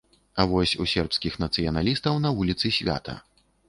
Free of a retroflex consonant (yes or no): yes